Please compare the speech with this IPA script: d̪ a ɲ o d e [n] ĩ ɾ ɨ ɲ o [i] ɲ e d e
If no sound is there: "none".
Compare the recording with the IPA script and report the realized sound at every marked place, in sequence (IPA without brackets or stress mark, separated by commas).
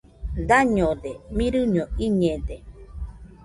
m, i